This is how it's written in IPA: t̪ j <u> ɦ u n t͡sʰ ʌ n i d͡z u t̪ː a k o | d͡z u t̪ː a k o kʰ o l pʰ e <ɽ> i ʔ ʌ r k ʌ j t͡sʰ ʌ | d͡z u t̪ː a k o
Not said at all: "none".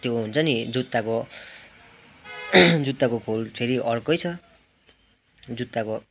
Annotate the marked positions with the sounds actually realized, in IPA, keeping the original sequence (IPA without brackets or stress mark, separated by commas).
o, ɾ